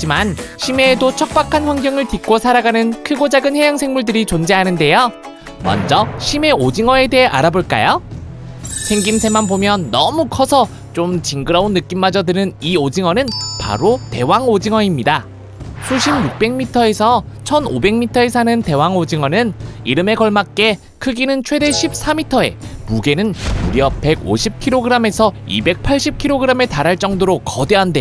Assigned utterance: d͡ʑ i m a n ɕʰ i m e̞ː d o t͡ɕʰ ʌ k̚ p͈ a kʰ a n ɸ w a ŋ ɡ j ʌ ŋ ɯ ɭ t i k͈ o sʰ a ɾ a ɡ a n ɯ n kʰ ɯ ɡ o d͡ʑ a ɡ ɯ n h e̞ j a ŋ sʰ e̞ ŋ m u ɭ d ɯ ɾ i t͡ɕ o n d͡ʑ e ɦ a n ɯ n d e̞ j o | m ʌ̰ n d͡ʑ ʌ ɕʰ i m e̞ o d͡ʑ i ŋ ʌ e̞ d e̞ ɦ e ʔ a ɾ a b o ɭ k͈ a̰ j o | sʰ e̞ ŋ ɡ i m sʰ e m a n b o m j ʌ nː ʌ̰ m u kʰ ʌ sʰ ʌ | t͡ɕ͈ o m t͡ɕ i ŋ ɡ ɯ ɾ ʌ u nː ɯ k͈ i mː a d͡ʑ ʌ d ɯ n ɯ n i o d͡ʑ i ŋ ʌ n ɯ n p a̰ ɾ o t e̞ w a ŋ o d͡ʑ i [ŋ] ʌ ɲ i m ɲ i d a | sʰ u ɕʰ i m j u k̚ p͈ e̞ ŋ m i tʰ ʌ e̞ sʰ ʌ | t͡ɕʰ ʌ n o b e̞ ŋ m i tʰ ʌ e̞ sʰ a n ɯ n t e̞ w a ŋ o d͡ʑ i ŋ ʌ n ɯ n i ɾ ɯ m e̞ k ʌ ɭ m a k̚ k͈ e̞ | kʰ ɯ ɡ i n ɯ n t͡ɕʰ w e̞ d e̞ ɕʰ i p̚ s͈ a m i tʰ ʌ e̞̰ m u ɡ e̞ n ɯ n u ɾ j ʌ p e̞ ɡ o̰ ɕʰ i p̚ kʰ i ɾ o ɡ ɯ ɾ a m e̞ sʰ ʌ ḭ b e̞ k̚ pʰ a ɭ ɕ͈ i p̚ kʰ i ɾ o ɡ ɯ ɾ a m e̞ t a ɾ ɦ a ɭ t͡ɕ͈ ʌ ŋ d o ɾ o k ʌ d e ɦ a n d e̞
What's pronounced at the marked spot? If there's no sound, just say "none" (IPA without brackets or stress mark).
ŋ